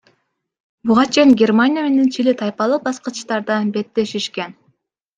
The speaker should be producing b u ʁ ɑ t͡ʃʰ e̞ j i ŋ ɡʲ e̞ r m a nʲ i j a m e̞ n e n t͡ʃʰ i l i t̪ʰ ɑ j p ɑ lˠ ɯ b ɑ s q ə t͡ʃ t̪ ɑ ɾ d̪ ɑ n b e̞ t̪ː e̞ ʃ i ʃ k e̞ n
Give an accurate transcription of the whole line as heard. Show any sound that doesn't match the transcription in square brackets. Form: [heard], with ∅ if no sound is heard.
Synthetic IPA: b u ʁ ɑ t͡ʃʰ e̞ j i ŋ ɡʲ e̞ r m a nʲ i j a m e̞ n e n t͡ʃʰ i l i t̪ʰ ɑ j p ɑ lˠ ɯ b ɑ s q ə t͡ʃ t̪ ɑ ɾ d̪ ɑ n b e̞ t̪ː e̞ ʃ i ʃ k e̞ n